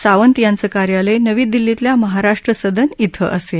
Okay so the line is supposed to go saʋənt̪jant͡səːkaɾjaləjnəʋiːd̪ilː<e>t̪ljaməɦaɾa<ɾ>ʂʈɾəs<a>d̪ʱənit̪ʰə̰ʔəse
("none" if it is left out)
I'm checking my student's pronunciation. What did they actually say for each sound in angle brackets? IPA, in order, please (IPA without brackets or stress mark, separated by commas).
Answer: i, none, ə